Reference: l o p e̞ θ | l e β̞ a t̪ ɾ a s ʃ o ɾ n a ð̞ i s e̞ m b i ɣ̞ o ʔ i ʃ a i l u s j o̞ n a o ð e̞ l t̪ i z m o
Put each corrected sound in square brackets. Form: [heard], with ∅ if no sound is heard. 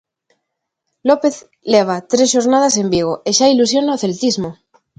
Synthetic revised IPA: l o p e̞ θ | l e β̞ a t̪ ɾ [e] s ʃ o ɾ n a ð̞ [a] s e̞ m b i ɣ̞ o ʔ [e] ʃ a i l u s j o̞ n a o [θ] e̞ l t̪ i z m o